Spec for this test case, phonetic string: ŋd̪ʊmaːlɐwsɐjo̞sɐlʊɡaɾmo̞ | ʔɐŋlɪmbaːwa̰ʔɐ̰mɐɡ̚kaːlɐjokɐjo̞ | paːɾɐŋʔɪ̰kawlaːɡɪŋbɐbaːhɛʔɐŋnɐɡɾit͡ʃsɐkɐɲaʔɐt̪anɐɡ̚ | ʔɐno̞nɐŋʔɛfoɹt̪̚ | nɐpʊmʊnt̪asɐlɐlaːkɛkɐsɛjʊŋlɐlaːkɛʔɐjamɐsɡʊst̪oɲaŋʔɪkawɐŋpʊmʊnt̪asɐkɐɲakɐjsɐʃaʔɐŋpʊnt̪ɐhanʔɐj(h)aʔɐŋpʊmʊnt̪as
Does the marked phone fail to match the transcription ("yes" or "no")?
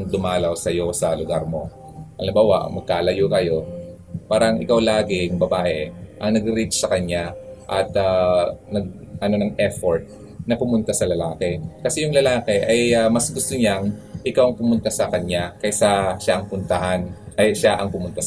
yes